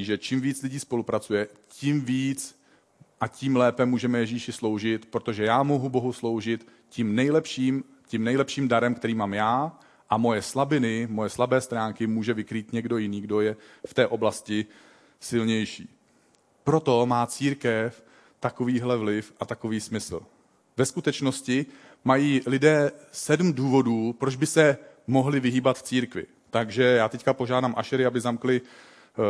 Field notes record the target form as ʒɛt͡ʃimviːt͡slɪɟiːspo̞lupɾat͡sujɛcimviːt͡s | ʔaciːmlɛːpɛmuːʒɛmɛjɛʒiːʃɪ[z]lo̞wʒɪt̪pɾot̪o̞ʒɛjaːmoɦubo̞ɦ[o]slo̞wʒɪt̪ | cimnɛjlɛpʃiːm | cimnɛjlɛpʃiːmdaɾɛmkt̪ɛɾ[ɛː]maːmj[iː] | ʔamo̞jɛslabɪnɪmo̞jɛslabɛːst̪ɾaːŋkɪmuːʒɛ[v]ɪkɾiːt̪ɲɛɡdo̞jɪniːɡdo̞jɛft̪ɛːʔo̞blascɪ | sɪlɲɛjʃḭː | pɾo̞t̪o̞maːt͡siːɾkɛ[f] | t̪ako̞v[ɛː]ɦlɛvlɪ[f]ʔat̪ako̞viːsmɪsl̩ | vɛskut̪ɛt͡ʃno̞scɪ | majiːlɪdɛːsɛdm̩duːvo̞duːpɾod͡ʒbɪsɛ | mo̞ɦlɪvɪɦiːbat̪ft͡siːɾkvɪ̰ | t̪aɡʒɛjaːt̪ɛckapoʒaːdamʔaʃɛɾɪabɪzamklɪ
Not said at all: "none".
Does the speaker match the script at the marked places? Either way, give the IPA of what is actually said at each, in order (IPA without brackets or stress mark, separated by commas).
s, u, iː, aː, v, f, iː, f